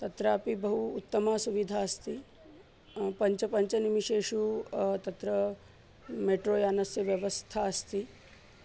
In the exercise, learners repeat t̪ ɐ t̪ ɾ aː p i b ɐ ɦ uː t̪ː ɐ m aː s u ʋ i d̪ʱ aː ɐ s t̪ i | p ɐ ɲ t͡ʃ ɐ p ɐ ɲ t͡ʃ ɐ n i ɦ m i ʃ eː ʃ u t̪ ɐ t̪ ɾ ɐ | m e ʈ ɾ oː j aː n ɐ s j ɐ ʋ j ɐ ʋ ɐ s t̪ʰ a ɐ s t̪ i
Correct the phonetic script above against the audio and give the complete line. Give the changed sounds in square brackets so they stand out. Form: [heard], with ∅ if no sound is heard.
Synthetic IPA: t̪ ɐ t̪ ɾ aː p i b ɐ ɦ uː t̪ː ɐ m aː s u ʋ i d̪ʱ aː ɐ s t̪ i | p ɐ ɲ t͡ʃ ɐ p ɐ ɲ t͡ʃ ɐ n i [∅] m i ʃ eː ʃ u t̪ ɐ t̪ ɾ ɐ | m e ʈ ɾ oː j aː n ɐ s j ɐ ʋ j ɐ ʋ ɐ s t̪ʰ a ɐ s t̪ i

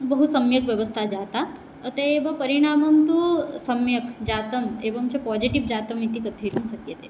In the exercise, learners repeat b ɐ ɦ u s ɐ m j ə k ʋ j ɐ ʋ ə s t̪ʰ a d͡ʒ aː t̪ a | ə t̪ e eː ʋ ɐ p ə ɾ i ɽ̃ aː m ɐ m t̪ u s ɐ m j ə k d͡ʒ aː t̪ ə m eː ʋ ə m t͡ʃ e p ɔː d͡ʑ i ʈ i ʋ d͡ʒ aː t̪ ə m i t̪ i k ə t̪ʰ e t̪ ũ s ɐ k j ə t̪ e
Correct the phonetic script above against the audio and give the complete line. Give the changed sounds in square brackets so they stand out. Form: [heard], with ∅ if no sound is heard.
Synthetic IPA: b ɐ ɦ u s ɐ m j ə k ʋ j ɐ ʋ ə s t̪ʰ a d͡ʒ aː t̪ a | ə t̪ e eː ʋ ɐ p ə ɾ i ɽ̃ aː m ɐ m t̪ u s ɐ m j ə k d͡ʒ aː t̪ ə m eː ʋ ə m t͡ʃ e p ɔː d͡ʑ i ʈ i ʋ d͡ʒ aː t̪ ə m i t̪ i k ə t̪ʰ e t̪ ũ s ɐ k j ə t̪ e

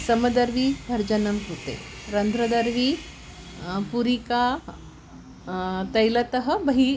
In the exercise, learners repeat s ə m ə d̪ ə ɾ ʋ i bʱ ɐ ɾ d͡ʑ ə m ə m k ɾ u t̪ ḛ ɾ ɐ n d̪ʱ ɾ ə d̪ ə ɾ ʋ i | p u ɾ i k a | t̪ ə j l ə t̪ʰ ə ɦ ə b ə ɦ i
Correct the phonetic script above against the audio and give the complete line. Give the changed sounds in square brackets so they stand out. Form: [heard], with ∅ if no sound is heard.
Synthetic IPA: s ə m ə d̪ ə ɾ ʋ i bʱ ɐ ɾ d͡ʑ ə [n] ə m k ɾ u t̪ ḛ ɾ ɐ n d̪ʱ ɾ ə d̪ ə ɾ ʋ i | p u ɾ i k a | t̪ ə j l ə [t̪] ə ɦ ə b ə ɦ i

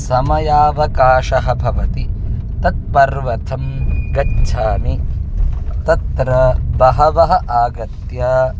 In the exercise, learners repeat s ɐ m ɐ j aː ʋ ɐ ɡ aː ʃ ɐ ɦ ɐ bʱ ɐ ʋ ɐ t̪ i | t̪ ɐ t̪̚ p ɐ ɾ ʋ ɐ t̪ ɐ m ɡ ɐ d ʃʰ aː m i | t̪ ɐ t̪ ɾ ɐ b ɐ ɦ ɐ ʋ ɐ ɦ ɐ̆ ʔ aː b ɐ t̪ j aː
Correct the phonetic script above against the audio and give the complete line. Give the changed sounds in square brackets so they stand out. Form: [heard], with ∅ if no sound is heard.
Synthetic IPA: s ɐ m ɐ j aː ʋ ɐ [k] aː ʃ ɐ ɦ ɐ bʱ ɐ ʋ ɐ t̪ i | t̪ ɐ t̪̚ p ɐ ɾ ʋ ɐ [t̪ʰ] ɐ m ɡ ɐ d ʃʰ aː [n] i | t̪ ɐ t̪ ɾ ɐ b ɐ ɦ ɐ ʋ ɐ ɦ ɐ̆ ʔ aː [ɡ] ɐ t̪ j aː

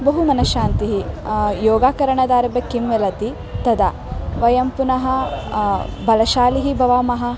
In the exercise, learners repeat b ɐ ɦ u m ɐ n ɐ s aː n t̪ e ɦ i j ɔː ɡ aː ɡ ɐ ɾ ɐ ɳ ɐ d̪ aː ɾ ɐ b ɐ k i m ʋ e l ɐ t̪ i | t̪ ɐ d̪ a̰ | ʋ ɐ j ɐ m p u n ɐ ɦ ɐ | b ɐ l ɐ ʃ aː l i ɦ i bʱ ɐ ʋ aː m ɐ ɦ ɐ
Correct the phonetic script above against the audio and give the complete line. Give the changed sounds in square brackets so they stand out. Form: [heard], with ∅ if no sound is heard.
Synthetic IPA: b ɐ ɦ u m ɐ n ɐ [ʃ] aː n t̪ [i] ɦ i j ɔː ɡ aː [k] ɐ ɾ ɐ ɳ ɐ d̪ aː ɾ ɐ b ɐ k i m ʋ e l ɐ t̪ i | t̪ ɐ d̪ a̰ | ʋ ɐ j ɐ m p u n ɐ ɦ ɐ | b ɐ l ɐ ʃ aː l i ɦ i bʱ ɐ ʋ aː m ɐ ɦ ɐ

